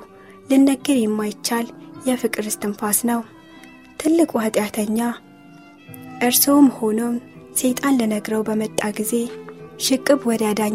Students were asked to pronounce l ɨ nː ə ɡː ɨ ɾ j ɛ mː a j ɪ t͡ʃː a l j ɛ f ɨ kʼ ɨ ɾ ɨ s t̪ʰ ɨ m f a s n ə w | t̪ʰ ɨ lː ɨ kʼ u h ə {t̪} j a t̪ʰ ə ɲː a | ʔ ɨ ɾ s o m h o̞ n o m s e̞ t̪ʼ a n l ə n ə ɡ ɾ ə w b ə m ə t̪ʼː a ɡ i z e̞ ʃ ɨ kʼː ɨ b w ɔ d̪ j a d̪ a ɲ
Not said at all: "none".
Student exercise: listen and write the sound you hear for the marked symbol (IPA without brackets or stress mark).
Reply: t̪ʼ